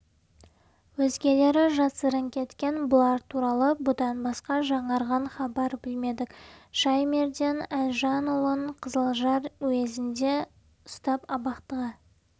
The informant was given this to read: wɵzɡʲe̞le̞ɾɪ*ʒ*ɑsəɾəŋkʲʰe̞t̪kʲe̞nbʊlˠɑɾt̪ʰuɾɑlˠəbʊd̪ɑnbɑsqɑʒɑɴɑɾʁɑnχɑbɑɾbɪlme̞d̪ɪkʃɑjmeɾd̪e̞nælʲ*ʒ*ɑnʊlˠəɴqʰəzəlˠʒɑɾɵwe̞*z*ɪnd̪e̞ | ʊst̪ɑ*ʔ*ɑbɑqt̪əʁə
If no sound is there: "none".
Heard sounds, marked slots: ʒ, ʒ, z, p

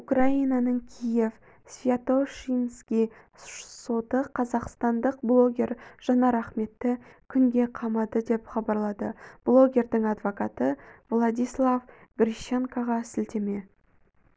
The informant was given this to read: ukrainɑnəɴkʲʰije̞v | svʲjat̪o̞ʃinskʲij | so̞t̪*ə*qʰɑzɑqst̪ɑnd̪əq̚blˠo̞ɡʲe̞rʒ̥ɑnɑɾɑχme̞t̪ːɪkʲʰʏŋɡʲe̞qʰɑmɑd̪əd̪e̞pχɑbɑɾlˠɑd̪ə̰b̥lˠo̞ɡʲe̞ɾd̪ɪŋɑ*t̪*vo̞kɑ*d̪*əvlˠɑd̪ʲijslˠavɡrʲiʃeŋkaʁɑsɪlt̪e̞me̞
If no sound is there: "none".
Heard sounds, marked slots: ə, d̪, t̪

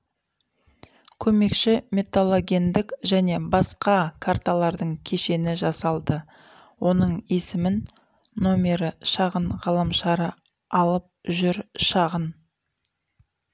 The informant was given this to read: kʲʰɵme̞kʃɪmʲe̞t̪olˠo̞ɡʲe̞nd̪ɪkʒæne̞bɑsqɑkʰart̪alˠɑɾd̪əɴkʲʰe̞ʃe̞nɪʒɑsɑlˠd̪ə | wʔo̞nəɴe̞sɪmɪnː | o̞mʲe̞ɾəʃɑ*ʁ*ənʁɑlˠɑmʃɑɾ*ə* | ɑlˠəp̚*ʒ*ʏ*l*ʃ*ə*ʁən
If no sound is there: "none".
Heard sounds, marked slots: ʁ, ə, ʒ, ɾ, ɑ

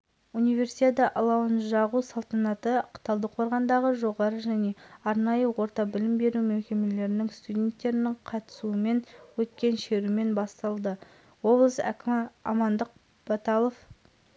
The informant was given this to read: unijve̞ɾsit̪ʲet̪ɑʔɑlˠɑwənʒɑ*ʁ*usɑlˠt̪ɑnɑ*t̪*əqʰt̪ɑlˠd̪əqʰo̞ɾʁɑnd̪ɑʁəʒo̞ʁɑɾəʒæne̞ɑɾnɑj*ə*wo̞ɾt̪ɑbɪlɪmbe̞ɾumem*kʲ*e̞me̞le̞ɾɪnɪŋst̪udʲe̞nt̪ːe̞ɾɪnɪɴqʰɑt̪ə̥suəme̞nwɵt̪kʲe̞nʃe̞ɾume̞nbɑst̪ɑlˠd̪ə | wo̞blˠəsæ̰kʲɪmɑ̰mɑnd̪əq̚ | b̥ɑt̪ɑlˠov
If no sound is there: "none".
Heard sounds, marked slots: ʁ, t̪, ə, kʲ

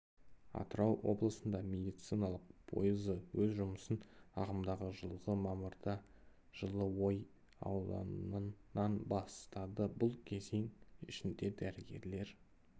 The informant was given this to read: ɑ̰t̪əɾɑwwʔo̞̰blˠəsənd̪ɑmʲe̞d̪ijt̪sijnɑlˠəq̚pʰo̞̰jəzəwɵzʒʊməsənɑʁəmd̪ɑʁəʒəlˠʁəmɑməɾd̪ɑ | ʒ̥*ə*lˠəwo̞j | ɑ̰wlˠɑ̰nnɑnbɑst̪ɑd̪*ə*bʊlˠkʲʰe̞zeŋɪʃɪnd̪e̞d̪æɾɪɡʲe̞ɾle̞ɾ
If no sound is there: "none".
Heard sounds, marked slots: ə, ə

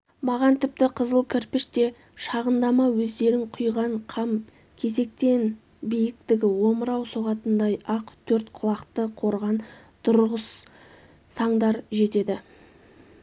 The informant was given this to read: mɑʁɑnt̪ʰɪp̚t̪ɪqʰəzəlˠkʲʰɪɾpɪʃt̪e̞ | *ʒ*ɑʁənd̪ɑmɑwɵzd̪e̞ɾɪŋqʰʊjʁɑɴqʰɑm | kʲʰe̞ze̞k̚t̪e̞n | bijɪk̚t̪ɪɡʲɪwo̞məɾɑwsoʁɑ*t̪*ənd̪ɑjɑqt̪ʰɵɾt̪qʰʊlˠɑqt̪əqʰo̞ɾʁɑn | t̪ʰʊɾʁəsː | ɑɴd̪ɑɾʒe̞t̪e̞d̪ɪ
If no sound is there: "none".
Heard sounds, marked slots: ʃ, t̪

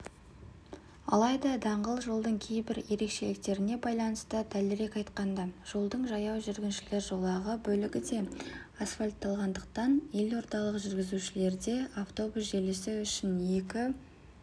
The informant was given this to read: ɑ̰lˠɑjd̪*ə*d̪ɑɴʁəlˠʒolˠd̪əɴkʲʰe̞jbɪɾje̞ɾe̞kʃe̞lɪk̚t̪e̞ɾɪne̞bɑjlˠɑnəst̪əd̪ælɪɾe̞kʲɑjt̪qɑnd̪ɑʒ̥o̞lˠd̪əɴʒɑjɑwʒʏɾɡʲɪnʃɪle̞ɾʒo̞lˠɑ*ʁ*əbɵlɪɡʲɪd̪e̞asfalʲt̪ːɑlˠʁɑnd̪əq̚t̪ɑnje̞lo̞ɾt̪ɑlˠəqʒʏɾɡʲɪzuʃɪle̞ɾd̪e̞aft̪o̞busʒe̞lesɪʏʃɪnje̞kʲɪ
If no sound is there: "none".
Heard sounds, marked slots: ɑ, ʁ

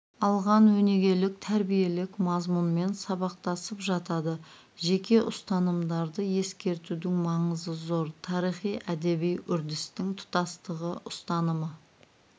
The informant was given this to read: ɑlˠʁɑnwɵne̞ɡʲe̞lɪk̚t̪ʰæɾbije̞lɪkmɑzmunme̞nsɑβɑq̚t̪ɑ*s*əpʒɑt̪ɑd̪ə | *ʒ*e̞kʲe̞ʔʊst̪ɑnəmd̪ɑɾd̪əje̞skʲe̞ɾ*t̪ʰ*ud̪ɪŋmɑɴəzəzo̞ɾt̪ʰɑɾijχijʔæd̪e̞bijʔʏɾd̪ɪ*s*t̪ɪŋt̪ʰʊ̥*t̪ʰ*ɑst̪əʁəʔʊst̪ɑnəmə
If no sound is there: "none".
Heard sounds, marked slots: s, ʒ, t̪, s, t̪

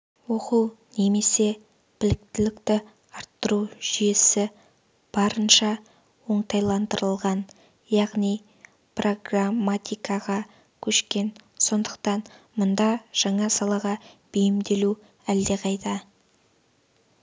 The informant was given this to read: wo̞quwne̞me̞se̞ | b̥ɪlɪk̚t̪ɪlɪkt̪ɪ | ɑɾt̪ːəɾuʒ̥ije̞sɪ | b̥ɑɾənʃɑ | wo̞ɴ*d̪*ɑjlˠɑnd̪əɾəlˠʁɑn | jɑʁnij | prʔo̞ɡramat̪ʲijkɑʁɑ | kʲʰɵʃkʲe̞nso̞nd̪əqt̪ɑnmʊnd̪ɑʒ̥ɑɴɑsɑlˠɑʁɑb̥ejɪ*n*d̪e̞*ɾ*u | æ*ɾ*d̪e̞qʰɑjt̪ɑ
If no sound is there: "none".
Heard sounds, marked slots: t̪, m, l, l

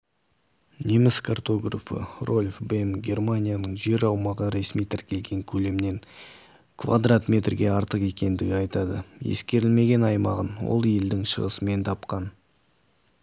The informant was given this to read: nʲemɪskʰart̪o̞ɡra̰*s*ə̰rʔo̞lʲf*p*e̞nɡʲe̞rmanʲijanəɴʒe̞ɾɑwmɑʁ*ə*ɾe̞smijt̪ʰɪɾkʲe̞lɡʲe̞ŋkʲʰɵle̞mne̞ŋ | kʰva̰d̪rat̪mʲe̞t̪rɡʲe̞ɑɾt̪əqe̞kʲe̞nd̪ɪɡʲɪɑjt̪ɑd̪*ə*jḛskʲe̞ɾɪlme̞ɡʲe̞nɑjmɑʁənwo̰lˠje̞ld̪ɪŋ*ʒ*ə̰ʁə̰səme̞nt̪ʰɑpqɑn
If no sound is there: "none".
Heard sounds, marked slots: f, b, ə, ə, ʃ

